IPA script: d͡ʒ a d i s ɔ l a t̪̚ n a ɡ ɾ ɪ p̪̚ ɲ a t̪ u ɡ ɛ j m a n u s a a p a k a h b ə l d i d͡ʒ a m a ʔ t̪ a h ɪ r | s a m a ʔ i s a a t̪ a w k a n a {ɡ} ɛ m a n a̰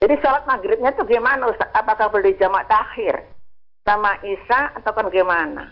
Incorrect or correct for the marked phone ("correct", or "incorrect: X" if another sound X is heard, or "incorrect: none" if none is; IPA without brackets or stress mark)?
correct